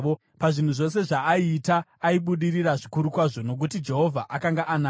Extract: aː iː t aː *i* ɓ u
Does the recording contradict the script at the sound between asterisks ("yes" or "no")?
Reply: no